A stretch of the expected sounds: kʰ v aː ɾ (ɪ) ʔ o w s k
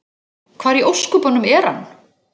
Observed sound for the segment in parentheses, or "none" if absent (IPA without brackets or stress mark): i